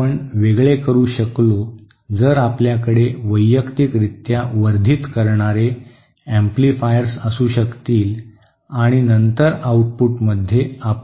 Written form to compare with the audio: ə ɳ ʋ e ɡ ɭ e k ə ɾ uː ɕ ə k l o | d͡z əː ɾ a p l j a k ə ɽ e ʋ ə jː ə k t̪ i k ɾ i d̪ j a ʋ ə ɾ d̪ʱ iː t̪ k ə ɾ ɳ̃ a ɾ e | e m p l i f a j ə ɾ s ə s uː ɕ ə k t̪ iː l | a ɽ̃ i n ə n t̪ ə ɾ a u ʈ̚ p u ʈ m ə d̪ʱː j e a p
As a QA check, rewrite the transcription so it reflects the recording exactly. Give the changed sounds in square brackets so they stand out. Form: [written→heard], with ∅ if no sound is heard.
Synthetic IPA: ə ɳ ʋ e ɡ ɭ e k ə ɾ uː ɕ ə k l o | d͡z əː ɾ a p l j a k ə ɽ e ʋ ə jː ə k t̪ i k ɾ i [d̪→t̪] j a ʋ ə ɾ d̪ʱ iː t̪ k ə ɾ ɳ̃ a ɾ e | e m p l i f a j ə ɾ s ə s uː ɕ ə k t̪ iː l | a ɽ̃ i n ə n t̪ ə ɾ a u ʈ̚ p u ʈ m ə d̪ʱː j e a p